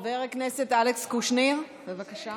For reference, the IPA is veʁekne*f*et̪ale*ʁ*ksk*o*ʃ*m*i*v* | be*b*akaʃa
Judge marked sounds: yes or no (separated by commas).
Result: no, no, no, no, no, no